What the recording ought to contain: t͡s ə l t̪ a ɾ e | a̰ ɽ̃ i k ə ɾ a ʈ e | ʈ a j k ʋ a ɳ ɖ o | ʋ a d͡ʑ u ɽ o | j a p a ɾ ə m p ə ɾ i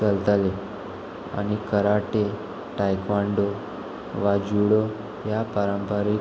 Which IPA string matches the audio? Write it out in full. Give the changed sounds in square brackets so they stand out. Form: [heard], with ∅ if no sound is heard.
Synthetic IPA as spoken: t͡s ə l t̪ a [l] e | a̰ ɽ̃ i k ə ɾ a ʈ e | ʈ a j k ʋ a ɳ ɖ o | ʋ a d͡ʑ u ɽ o | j a p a ɾ ə m p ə ɾ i